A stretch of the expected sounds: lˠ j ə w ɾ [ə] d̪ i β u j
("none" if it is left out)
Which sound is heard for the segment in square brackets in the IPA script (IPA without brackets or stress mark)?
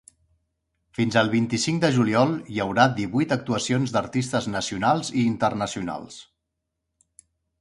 a